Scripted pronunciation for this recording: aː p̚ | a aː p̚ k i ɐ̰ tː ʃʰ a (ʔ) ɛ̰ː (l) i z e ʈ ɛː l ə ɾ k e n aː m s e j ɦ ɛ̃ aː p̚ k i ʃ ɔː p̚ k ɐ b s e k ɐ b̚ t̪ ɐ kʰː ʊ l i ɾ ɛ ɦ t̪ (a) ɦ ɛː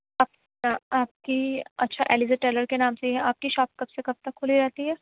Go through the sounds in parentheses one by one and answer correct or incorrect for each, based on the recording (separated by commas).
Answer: correct, correct, incorrect